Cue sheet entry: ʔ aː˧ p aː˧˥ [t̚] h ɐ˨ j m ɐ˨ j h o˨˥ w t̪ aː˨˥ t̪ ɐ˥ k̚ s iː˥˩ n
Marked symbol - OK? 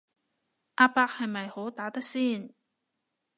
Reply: no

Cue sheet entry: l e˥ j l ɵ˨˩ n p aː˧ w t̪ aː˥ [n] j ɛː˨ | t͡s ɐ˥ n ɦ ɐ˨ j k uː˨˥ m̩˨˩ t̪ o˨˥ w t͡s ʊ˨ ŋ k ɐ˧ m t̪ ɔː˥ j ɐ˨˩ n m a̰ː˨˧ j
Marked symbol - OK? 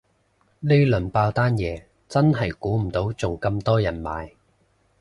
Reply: yes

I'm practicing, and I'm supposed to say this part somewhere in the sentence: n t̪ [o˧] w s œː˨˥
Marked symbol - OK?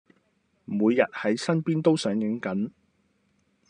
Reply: no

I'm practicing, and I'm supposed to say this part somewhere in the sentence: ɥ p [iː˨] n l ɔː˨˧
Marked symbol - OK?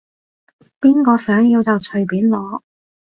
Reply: no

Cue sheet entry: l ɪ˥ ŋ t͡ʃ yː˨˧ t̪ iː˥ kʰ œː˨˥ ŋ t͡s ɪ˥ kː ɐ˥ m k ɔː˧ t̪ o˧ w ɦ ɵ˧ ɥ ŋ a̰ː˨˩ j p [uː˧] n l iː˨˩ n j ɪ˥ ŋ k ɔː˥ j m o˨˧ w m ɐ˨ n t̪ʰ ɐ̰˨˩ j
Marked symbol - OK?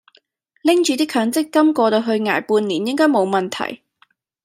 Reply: yes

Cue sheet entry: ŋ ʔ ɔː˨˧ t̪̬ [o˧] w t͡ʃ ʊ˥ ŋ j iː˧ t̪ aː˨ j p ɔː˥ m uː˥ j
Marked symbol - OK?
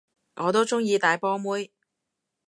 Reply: no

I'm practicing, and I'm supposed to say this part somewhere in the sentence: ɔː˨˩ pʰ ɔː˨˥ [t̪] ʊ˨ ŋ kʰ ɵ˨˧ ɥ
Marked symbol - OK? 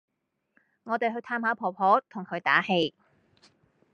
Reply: no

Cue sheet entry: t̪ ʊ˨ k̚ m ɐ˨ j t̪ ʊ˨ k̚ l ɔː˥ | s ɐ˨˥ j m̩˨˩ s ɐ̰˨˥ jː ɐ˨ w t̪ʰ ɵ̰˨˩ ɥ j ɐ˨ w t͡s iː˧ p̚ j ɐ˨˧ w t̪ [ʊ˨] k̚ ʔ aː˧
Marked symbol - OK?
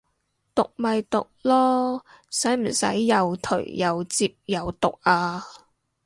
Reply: yes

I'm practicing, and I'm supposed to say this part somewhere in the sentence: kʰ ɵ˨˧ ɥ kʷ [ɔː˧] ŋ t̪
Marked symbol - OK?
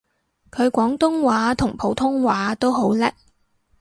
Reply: no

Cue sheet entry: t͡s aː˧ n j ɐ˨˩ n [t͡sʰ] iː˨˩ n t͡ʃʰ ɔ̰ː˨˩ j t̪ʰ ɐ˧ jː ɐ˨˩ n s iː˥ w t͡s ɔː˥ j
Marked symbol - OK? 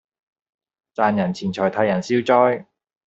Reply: yes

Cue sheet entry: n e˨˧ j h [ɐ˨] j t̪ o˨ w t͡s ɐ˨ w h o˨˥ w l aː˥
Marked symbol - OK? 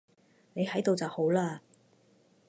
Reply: no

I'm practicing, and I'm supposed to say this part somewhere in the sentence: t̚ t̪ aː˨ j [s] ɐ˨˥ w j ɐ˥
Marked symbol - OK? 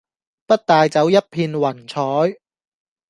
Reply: no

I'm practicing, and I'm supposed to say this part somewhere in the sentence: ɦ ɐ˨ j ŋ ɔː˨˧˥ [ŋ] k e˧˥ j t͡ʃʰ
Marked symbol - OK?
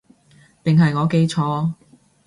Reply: no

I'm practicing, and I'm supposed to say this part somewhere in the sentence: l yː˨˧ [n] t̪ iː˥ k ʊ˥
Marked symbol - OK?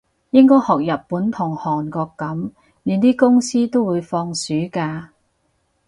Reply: yes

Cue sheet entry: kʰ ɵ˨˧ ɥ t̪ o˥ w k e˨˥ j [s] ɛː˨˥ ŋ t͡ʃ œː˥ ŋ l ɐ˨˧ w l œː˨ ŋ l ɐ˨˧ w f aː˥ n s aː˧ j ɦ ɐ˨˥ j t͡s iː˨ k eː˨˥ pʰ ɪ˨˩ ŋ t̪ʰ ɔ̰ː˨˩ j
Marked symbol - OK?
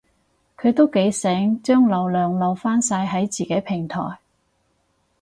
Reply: yes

